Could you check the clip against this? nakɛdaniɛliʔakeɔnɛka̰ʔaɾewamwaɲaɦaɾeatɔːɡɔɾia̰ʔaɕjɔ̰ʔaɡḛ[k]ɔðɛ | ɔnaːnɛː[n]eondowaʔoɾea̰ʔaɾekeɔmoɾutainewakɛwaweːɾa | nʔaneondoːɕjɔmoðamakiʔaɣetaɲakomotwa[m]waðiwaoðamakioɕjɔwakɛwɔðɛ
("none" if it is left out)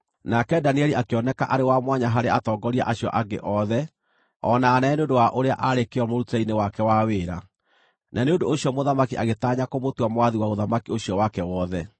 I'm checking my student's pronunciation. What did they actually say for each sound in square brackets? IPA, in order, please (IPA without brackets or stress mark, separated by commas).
ʔ, n, m